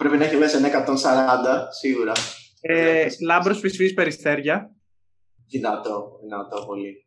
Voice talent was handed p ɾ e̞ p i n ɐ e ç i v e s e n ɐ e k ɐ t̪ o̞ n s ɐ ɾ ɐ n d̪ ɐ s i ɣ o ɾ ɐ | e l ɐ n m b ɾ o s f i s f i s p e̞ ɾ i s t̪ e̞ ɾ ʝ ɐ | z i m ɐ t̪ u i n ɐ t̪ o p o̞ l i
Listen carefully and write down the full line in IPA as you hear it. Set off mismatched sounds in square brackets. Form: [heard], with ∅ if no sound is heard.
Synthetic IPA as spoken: p ɾ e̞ p i n ɐ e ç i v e s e n ɐ e k ɐ t̪ o̞ n s ɐ ɾ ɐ n d̪ ɐ s i ɣ [u] ɾ ɐ | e l ɐ [∅] m b ɾ o s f i s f i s p e̞ ɾ i s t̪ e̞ ɾ ʝ ɐ | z i [n] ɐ t̪ [o] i n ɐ t̪ o p o̞ l i